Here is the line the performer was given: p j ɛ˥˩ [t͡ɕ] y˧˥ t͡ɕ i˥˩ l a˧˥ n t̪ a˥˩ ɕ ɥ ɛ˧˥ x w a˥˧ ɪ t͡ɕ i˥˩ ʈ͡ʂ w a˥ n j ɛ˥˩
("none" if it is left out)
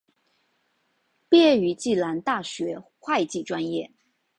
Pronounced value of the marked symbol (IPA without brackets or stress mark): none